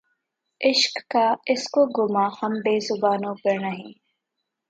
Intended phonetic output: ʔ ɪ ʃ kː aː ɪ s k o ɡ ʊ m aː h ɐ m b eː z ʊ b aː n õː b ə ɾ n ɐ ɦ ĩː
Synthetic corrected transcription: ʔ ɪ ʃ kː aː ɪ s k o ɡ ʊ m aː h ɐ m b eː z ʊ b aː n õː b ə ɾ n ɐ ɦ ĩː